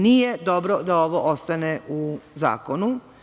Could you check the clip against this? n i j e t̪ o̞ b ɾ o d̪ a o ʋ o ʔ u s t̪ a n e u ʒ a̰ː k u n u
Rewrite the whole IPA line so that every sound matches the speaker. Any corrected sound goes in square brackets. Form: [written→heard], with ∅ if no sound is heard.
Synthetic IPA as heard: n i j e [t̪→d̪] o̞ b ɾ o d̪ a o ʋ o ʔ [u→o] s t̪ a n e u [ʒ→z] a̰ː k [u→o] n u